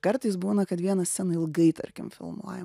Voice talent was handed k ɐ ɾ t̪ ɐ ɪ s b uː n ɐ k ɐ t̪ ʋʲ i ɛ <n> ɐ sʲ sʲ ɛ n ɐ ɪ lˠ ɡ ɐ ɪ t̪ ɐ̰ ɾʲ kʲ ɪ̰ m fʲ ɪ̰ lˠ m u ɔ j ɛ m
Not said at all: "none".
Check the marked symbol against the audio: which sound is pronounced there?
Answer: n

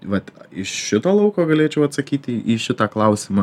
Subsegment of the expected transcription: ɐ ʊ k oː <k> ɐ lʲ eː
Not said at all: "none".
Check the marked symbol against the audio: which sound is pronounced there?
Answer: ɡ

